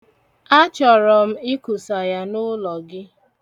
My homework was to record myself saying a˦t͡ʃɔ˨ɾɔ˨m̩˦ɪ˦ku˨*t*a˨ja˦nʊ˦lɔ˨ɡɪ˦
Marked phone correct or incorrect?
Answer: incorrect